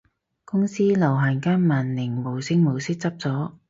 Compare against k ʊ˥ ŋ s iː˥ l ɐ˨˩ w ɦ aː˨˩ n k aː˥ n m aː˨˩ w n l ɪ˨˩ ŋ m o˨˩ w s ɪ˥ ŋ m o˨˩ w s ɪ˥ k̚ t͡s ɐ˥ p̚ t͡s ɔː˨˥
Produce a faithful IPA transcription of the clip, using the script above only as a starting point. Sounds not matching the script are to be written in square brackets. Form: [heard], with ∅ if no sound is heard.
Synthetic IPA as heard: k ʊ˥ ŋ s iː˥ l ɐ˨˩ w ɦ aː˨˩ n k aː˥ n m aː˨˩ [∅] n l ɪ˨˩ ŋ m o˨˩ w s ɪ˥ ŋ m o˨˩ w s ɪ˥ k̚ t͡s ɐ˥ p̚ t͡s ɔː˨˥